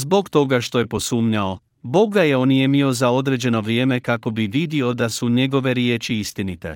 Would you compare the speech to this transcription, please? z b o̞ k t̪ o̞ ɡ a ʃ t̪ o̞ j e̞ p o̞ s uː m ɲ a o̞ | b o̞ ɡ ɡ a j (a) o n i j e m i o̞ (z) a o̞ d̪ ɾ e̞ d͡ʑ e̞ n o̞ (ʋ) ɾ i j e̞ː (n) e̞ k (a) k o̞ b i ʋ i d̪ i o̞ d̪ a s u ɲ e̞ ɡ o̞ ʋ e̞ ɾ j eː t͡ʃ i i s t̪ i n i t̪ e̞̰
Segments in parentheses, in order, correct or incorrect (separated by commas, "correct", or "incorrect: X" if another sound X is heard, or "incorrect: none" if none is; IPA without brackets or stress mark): incorrect: e, correct, correct, incorrect: m, correct